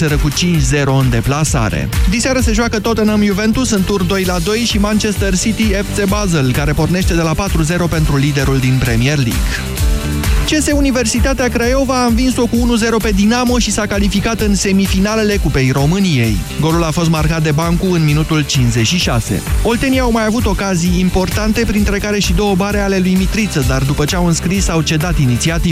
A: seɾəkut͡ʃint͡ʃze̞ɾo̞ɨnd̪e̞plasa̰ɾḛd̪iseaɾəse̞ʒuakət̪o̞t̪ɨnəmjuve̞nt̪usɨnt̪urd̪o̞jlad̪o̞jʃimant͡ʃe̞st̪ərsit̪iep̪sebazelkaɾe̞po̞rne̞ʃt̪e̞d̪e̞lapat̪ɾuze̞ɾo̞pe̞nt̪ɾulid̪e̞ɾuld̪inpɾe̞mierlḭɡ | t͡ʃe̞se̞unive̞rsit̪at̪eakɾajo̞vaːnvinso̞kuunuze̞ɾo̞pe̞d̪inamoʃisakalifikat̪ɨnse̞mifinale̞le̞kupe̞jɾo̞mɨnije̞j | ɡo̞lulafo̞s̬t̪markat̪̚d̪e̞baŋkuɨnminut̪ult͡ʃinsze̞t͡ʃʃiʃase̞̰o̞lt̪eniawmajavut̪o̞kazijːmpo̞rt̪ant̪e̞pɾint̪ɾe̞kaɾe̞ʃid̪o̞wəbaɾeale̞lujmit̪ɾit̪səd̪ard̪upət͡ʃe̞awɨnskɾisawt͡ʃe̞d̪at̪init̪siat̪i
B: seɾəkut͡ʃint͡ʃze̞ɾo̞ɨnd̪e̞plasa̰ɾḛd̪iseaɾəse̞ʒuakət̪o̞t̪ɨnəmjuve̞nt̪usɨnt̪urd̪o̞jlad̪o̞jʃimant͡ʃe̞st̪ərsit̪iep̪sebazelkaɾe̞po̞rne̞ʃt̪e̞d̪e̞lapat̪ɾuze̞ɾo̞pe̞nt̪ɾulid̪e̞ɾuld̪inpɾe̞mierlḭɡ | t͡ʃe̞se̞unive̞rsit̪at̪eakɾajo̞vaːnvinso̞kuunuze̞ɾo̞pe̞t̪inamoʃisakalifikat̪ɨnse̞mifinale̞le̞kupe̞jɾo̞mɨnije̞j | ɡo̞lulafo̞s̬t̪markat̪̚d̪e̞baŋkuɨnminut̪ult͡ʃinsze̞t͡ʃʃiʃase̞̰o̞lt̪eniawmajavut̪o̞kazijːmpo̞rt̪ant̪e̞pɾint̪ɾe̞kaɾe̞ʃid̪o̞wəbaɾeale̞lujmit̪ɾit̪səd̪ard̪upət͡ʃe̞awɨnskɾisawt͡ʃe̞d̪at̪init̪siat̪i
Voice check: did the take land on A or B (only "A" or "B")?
A